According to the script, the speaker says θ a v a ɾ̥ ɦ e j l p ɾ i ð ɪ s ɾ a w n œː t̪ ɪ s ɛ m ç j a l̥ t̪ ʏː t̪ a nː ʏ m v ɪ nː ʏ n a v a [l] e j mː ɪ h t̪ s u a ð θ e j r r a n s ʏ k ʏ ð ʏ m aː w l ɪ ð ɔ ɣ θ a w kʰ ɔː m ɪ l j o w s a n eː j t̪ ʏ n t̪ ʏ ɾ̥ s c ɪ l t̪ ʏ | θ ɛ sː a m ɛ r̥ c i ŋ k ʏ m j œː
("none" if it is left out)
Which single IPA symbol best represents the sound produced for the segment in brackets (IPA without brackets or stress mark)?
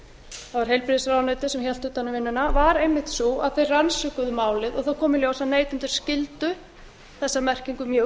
ɾ